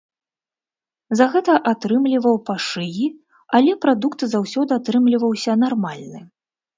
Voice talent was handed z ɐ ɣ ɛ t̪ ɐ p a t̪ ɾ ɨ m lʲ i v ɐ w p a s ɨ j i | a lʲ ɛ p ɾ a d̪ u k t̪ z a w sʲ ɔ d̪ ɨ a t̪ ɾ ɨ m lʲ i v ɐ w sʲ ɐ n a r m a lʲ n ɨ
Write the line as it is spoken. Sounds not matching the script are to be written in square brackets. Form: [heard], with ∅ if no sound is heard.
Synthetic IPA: z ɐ ɣ ɛ t̪ ɐ [ʔ] a t̪ ɾ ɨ m lʲ i v ɐ w p a [ʂ] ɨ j i | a lʲ ɛ p ɾ a d̪ u k t̪ z a w sʲ ɔ d̪ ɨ a t̪ ɾ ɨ m lʲ i v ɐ w sʲ ɐ n a r m a lʲ n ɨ